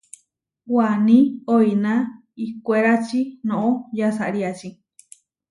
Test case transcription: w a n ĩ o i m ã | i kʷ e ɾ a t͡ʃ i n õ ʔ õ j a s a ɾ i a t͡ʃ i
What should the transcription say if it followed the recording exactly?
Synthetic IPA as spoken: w a n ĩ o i n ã | i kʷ e ɾ a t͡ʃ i n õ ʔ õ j a s a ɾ i a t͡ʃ i

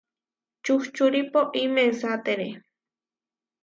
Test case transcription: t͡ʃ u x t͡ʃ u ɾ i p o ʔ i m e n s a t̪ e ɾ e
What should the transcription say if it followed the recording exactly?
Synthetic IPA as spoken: t͡ʃ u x t͡ʃ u ɾ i p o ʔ i m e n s a t̪ e ɾ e

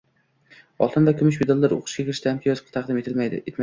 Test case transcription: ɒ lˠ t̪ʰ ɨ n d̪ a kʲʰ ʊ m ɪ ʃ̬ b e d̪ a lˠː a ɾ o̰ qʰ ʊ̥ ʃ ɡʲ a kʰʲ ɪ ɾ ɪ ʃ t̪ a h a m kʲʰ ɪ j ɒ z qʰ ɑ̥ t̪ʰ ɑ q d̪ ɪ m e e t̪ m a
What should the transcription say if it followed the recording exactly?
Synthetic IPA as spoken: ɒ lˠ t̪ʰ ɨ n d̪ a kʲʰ ʊ m ɪ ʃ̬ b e d̪ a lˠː a ɾ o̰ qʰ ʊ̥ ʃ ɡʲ a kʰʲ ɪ ɾ ɪ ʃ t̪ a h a m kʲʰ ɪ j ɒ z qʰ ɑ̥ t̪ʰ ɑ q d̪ ɪ m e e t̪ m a

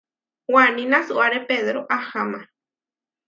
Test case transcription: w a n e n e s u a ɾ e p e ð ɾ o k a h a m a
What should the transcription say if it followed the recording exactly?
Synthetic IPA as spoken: w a n i n a s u a ɾ e p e ð ɾ o ʔ a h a m a

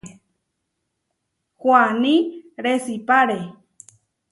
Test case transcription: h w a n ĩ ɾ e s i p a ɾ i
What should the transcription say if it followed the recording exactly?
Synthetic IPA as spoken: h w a n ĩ ɾ e s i p a ɾ e

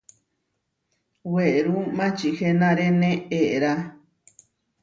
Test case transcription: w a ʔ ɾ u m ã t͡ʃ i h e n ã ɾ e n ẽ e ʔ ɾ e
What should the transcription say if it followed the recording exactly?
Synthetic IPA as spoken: w e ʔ ɾ u m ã t͡ʃ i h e n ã ɾ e n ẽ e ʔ ɾ a

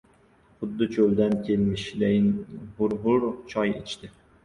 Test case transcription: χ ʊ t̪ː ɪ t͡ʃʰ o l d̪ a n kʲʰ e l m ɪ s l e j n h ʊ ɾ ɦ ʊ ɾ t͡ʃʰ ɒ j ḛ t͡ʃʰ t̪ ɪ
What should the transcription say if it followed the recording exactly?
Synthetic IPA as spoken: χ ʊ d̪ː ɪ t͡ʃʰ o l d̪ a n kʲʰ e l m ɪ ʃ l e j n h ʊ ɾ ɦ ʊ ɾ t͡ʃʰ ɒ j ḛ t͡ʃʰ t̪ ɪ

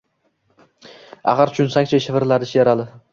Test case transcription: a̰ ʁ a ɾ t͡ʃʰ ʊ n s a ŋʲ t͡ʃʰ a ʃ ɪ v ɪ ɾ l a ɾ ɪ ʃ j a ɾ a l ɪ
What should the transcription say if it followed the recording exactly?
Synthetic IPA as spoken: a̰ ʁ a ɾ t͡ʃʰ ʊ n s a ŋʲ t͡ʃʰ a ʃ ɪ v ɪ ɾ l a ɾ ɪ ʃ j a ɾ a l ɪ

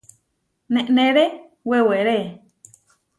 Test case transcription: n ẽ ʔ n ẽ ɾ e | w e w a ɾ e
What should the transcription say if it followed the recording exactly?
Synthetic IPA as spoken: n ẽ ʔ n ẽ ɾ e | w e w e ɾ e

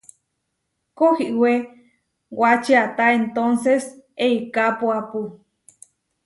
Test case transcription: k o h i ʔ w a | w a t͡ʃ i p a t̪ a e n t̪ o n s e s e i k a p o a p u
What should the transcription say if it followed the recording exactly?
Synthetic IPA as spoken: k o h i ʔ w e | w a t͡ʃ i a t̪ a e n t̪ o n s e s e i k a p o a p u

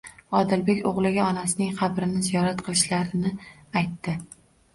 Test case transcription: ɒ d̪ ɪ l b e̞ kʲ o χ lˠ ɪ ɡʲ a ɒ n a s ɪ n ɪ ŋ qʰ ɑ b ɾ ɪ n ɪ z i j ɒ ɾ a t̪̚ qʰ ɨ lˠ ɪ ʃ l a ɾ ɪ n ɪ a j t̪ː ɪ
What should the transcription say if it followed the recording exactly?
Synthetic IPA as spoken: ɒ d̪ ɪ l b e̞ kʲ o ʁ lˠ ɪ ɡʲ a ɒ n a s ɪ n ɪ ŋ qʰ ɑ b ɾ ɪ n ɪ z i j ɒ ɾ a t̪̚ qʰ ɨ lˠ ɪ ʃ l a ɾ ɪ n ɪ a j t̪ː ɪ

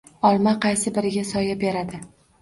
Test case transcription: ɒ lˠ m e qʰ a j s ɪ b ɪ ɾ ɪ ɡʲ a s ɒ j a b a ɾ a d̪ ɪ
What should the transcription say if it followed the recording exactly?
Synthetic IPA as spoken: ɒ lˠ m a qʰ ɑ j s ɪ b ɪ ɾ ɪ ɡʲ a s ɒ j a b e ɾ a d̪ ɪ

